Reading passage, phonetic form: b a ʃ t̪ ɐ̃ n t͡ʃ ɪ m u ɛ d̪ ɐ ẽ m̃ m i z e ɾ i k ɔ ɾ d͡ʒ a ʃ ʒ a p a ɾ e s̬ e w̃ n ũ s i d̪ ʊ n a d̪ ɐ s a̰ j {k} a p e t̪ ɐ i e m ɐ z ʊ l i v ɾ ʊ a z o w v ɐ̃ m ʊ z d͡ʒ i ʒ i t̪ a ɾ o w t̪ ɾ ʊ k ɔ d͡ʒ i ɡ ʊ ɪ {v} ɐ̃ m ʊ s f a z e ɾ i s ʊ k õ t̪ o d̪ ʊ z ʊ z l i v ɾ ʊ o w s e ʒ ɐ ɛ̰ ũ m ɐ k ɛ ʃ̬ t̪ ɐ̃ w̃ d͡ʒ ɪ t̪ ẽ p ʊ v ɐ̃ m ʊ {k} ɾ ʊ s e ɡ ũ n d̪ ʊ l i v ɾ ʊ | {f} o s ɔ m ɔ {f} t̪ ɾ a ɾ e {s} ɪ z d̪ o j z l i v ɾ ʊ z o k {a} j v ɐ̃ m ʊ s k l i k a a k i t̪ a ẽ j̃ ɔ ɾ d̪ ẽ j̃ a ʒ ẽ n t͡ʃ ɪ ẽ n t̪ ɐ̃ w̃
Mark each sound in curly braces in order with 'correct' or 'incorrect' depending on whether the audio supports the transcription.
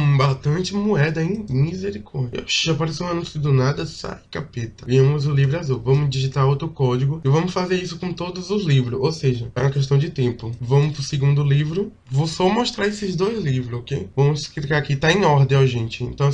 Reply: correct, correct, incorrect: p, incorrect: v, incorrect: ʃ, correct, incorrect: e

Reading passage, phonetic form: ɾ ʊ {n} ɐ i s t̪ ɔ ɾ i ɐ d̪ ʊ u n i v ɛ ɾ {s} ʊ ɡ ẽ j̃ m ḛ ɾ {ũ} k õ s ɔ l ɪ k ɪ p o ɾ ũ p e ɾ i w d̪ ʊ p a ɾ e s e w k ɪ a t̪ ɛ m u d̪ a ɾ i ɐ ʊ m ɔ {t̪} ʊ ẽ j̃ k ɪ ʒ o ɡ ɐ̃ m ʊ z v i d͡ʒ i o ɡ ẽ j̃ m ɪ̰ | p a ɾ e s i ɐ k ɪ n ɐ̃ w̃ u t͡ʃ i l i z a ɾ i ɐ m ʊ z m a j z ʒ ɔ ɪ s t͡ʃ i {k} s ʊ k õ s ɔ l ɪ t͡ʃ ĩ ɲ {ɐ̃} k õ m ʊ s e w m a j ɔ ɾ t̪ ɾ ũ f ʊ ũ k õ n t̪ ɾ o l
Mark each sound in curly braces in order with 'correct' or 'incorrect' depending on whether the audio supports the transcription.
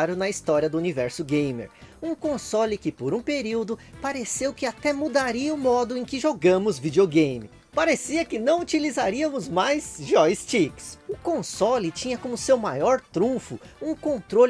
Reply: correct, correct, correct, incorrect: d̪, correct, incorrect: ɐ

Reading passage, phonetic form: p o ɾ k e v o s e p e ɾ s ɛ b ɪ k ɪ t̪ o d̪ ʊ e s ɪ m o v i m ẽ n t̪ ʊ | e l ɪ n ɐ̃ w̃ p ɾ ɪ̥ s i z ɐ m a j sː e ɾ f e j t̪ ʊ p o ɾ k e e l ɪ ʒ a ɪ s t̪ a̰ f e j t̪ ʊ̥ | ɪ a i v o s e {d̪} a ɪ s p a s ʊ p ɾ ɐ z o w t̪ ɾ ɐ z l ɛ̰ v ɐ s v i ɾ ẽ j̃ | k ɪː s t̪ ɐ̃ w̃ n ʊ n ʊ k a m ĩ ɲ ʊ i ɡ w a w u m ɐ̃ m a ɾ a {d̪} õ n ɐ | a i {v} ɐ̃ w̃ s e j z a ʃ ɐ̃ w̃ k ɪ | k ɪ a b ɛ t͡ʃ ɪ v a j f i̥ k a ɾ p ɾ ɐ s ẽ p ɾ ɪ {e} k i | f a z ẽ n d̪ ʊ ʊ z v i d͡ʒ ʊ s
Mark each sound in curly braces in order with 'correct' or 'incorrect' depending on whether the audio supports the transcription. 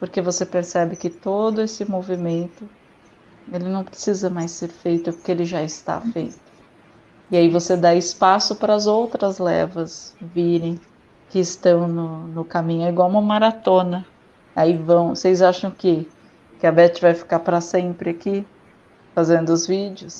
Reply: correct, incorrect: t̪, correct, incorrect: a

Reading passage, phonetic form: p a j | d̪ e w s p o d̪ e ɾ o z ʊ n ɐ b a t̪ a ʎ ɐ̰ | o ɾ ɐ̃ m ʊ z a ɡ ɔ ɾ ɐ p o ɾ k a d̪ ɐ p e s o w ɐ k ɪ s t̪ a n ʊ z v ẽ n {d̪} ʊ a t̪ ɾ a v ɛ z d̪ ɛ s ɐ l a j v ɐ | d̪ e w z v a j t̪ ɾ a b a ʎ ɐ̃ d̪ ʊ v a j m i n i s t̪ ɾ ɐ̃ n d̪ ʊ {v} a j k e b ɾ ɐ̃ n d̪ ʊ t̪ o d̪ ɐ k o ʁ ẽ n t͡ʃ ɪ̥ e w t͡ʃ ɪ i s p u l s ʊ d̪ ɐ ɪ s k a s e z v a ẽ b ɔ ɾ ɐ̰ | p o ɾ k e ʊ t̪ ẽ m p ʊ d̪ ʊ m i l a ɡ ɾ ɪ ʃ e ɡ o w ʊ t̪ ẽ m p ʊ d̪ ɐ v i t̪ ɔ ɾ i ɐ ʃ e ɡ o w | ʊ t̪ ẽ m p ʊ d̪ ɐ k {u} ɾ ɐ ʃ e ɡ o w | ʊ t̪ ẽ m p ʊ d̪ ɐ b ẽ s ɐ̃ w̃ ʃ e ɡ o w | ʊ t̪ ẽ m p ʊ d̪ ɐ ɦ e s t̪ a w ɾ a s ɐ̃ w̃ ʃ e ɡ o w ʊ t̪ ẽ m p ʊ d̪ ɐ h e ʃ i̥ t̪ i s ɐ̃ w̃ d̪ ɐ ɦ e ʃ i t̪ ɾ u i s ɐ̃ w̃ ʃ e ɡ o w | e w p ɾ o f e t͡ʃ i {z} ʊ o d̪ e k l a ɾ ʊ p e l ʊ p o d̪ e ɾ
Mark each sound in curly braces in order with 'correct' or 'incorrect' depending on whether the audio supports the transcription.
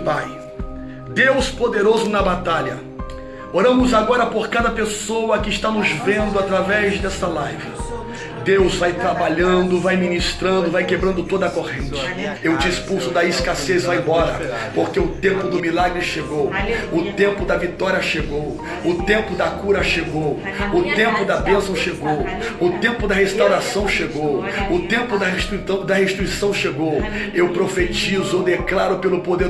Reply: correct, correct, correct, correct

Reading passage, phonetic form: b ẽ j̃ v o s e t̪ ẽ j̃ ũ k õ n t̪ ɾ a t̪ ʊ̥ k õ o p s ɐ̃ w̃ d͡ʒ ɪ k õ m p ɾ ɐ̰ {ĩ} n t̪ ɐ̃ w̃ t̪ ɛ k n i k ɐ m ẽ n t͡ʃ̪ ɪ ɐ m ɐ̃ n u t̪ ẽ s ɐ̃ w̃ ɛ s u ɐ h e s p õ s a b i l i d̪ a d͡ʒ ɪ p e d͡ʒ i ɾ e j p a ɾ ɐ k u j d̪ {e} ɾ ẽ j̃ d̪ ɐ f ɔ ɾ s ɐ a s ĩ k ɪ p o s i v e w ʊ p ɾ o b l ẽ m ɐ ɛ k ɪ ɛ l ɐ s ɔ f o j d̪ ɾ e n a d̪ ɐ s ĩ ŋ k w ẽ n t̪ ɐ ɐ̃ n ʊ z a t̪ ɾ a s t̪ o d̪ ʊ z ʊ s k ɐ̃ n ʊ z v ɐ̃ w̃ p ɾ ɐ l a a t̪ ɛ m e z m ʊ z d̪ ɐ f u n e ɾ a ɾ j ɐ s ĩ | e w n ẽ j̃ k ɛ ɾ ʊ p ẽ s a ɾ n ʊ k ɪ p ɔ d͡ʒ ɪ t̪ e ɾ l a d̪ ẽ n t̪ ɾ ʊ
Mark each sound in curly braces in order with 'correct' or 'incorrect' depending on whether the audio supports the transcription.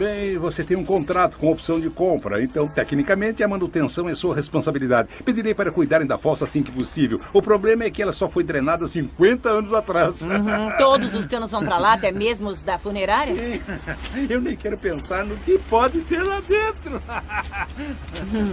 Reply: incorrect: ẽ, incorrect: a

